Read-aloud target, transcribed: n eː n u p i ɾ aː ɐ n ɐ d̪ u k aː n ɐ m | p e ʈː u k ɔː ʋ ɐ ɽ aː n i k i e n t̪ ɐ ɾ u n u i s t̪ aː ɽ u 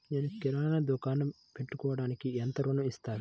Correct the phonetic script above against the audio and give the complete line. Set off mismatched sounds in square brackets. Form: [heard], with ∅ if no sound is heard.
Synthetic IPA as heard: n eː n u [k] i ɾ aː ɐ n ɐ d̪ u k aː n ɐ m | p e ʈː u k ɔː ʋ ɐ ɽ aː n i k i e n t̪ ɐ ɾ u n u i s t̪ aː [ɾ] u